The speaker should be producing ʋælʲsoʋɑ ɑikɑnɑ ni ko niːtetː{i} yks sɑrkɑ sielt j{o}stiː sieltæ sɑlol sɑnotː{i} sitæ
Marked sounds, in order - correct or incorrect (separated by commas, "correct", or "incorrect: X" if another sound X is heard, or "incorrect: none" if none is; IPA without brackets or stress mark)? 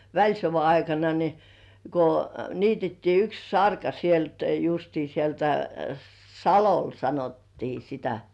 incorrect: iː, incorrect: u, incorrect: iː